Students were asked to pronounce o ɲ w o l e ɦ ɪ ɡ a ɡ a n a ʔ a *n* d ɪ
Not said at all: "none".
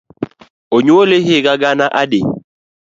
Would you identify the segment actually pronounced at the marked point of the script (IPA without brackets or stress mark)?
none